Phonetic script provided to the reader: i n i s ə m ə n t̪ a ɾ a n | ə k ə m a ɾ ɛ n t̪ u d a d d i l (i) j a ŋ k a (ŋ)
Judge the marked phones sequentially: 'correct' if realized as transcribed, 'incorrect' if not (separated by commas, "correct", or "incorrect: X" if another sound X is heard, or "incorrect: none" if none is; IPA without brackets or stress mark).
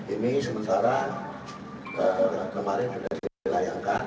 incorrect: a, incorrect: n